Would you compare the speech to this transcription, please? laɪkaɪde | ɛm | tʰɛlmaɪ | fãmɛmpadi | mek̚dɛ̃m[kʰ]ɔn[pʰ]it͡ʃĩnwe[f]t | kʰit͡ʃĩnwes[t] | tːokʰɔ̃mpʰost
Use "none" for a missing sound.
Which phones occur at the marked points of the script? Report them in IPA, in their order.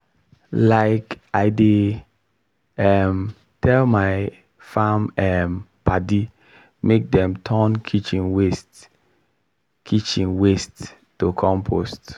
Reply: tʰ, kʰ, s, t

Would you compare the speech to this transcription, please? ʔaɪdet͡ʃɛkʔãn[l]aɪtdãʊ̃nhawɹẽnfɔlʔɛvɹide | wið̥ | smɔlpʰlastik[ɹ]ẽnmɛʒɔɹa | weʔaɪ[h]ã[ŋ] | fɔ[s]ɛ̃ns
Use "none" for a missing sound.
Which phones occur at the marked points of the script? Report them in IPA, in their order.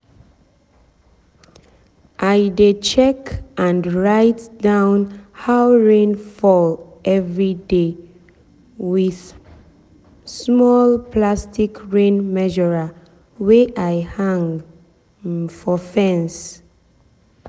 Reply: ɹ, ɹ, h, ŋ, f

